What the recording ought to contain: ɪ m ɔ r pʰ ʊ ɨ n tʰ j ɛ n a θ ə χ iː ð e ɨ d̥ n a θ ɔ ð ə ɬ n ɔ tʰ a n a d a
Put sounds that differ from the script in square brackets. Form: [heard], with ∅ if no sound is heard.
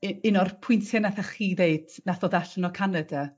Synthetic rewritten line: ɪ [n] ɔ r pʰ ʊ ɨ n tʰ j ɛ n a θ [a] χ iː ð e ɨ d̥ n a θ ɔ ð [a] ɬ n ɔ [kʰ] a n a d a